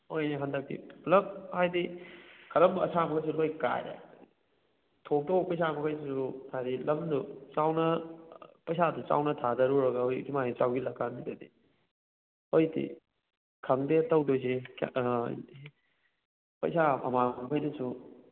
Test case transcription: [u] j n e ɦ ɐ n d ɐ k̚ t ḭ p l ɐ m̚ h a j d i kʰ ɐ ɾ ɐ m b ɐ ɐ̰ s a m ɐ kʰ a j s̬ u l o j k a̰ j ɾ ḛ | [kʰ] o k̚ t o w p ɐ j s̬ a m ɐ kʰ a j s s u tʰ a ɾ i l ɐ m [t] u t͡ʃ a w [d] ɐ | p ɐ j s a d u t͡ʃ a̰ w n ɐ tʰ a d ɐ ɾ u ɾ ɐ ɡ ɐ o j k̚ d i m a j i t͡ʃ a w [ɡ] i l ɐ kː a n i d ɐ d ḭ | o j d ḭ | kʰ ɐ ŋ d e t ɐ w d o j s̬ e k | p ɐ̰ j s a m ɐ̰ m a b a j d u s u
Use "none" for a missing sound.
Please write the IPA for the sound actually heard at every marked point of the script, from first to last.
o, tʰ, d, n, ɡ

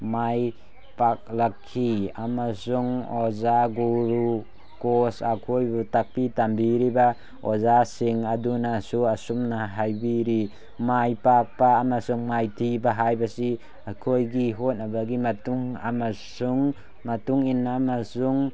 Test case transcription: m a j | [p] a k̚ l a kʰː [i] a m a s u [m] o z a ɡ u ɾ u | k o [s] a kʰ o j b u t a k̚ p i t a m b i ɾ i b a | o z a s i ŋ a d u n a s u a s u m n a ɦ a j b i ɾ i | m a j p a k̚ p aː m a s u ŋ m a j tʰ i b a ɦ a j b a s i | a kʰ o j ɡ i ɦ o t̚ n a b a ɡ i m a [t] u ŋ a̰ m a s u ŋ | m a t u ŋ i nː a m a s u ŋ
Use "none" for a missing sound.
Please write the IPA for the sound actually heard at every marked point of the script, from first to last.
p, i, ŋ, s, t

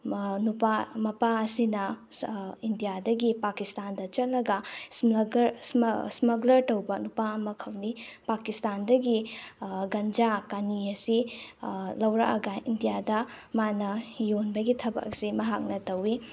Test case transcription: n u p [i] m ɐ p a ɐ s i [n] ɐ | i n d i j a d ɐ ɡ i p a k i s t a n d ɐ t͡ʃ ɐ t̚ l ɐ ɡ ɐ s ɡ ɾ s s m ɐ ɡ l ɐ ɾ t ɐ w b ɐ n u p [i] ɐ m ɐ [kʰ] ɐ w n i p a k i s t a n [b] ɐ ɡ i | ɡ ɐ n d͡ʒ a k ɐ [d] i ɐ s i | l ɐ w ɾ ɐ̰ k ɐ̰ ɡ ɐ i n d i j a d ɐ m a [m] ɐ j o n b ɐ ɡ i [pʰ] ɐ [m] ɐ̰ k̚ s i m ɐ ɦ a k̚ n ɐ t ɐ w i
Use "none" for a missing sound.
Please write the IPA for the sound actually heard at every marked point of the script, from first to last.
a, n, a, kʰ, d, n, n, tʰ, b

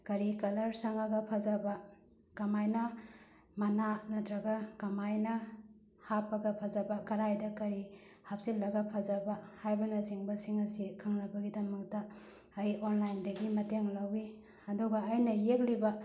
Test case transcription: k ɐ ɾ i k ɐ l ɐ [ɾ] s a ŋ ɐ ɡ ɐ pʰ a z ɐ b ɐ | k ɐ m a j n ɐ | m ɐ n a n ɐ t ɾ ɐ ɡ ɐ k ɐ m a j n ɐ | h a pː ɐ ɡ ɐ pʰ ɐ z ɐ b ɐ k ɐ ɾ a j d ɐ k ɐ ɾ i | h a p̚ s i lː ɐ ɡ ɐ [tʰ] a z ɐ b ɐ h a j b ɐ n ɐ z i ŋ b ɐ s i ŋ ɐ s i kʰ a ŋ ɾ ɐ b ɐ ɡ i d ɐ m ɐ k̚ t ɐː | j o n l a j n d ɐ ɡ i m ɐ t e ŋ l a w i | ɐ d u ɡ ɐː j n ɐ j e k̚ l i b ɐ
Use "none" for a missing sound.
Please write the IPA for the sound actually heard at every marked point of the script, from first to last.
ɾ, pʰ

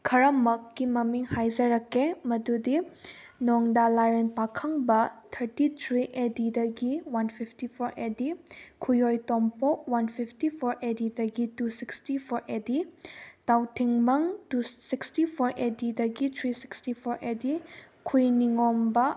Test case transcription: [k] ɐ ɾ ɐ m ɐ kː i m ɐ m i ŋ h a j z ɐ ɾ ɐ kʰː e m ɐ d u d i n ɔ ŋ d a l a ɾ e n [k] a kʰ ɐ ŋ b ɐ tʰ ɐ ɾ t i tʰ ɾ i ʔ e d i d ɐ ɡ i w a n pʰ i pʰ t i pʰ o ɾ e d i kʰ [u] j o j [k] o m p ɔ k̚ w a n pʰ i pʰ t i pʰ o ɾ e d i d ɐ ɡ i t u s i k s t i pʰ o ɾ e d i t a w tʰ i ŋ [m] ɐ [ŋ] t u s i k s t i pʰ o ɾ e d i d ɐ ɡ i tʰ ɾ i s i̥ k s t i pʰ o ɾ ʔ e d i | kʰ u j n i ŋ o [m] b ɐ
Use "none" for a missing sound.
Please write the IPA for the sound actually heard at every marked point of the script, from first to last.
kʰ, p, u, t, m, ŋ, m

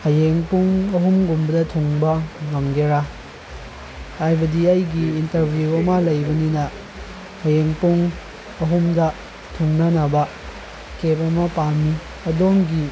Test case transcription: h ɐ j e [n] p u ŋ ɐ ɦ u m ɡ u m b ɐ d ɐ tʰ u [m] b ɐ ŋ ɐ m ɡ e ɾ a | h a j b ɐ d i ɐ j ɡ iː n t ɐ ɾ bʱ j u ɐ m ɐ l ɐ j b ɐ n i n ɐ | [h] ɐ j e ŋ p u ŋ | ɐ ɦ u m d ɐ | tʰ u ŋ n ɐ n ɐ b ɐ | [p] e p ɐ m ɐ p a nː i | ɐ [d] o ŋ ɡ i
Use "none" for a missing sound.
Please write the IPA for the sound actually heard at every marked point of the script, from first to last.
ŋ, ŋ, h, k, d

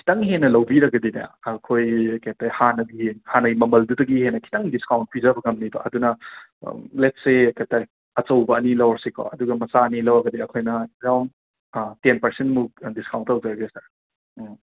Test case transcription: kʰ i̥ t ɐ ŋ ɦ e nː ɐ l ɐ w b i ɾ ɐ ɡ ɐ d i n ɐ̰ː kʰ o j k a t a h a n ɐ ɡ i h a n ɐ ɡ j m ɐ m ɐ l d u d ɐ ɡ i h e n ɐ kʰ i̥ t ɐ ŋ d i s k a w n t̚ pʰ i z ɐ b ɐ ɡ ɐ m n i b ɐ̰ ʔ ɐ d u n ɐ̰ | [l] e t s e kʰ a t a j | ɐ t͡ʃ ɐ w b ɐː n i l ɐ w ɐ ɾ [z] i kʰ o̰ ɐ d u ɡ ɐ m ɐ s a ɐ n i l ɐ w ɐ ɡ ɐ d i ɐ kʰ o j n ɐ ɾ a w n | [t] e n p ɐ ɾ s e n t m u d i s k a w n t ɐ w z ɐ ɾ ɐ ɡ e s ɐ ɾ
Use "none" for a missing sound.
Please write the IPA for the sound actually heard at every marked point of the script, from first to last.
l, s, t

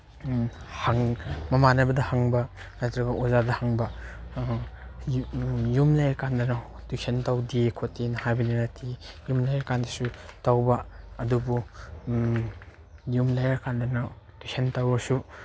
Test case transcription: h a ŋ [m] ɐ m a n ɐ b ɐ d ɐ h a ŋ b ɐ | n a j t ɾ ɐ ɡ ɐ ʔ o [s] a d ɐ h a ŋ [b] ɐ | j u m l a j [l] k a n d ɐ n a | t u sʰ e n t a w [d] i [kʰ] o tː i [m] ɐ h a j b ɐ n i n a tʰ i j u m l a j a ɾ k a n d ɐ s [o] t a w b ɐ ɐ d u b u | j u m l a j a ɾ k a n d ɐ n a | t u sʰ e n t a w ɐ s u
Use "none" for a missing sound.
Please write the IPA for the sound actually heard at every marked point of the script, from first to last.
m, z, b, ɾ, d, kʰ, n, u

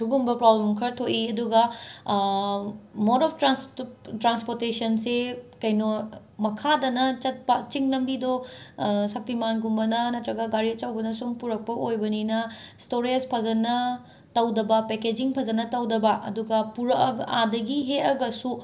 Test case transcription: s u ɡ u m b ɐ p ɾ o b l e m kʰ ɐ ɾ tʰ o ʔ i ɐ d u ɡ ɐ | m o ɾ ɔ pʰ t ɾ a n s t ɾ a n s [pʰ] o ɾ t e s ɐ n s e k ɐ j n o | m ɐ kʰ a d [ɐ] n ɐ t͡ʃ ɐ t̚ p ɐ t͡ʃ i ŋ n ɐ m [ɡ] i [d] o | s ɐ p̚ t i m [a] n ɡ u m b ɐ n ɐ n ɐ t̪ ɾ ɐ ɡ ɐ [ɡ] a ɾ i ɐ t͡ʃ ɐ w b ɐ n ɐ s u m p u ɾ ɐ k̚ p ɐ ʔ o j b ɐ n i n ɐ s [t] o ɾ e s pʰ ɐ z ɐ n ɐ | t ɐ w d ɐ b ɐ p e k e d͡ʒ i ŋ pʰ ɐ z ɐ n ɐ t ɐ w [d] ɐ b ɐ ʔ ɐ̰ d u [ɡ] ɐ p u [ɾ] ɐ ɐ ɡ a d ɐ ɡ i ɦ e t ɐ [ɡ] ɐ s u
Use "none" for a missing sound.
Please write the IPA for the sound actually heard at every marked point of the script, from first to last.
p, ɐ, b, d, a, ɡ, t, d, ɡ, ɾ, ɡ

